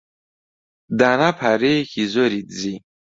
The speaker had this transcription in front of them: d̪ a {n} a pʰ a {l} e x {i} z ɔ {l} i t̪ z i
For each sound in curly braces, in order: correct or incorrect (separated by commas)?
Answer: correct, incorrect, correct, incorrect